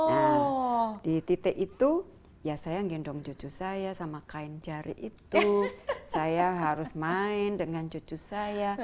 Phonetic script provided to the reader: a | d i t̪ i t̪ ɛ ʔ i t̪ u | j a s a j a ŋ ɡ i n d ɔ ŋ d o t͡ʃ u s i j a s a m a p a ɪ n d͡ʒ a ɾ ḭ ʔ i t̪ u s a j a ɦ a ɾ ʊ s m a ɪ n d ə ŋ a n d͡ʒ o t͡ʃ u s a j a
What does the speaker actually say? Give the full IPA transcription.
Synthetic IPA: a | d i t̪ i t̪ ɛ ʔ i t̪ u | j a s a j a ŋ ɡ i n d ɔ ŋ d͡ʒ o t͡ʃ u s a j a s a m a k a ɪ n d͡ʒ a ɾ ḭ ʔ i t̪ u s a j a ɦ a ɾ ʊ s m a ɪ n d ə ŋ a n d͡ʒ o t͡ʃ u s a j a